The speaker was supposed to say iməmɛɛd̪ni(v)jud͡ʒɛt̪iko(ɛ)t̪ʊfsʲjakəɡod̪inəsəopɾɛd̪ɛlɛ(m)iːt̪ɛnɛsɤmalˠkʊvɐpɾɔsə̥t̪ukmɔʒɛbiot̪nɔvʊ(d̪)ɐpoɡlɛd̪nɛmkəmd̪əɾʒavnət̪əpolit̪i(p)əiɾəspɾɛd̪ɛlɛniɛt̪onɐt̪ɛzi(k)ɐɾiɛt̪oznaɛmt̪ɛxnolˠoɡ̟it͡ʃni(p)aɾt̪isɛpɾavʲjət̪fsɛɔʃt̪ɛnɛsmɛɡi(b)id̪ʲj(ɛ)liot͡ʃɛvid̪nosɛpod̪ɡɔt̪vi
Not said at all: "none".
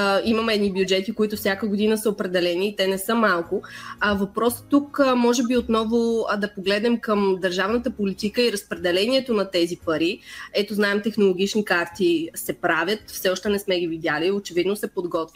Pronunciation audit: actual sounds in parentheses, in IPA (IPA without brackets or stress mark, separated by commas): b, i, n, d̪, k, p, k, v, a